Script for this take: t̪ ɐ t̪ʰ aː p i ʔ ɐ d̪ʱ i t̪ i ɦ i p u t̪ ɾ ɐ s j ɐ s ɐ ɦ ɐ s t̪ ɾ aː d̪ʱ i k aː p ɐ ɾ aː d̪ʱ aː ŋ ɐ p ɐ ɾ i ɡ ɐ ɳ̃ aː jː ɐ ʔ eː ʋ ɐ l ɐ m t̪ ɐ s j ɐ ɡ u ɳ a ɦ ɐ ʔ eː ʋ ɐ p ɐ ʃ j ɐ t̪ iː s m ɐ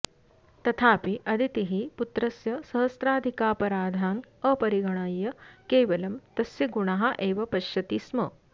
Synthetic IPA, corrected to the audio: t̪ ɐ t̪ʰ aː p i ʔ ɐ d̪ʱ i t̪ i ɦ i p u t̪ ɾ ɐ s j ɐ s ɐ ɦ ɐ s t̪ ɾ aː d̪ʱ i k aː p ɐ ɾ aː d̪ʱ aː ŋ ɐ p ɐ ɾ i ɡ ɐ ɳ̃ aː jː ɐ k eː ʋ ɐ l ɐ m t̪ ɐ s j ɐ ɡ u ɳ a ɦ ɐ ʔ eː ʋ ɐ p ɐ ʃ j ɐ t̪ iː s m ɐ